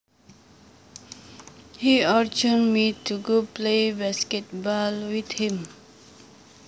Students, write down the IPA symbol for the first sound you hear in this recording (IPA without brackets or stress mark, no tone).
h